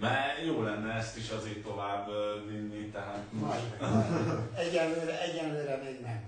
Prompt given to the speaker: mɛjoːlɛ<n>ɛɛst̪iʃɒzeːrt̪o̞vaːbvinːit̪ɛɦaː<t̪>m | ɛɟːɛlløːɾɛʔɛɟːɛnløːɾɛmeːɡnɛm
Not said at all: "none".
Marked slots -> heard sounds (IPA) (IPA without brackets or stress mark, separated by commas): nː, t̪